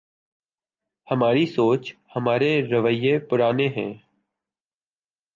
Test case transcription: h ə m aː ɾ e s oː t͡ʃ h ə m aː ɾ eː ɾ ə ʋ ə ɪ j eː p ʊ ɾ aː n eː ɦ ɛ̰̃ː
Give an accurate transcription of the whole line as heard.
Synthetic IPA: h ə m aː ɾ i s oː t͡ʃ h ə m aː ɾ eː ɾ ə ʋ ə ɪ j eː p ʊ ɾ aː n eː ɦ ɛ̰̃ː